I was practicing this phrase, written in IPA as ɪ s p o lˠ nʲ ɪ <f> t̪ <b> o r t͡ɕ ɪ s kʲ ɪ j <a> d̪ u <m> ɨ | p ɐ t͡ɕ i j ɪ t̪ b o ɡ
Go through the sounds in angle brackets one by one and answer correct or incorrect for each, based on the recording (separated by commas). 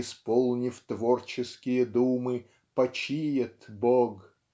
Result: correct, incorrect, incorrect, correct